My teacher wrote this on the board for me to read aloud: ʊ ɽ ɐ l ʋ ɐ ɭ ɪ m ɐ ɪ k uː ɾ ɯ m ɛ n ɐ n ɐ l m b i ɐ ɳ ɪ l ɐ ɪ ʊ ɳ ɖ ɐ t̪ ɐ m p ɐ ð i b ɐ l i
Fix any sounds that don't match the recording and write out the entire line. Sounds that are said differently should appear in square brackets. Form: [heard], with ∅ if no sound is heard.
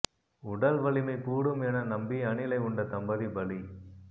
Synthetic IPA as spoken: ʊ ɽ ɐ l ʋ ɐ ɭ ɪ m ɐ ɪ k uː [ɽ] ɯ m ɛ n ɐ n ɐ [∅] m b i ɐ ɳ ɪ l ɐ ɪ ʊ ɳ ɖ ɐ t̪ ɐ m [b] ɐ ð i b ɐ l i